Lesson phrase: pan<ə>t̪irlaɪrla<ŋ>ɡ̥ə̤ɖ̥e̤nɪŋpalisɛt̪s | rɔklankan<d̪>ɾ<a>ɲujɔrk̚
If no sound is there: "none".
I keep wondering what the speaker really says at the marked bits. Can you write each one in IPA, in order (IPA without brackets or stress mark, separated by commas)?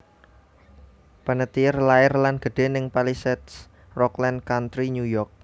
ə, n, t̪, i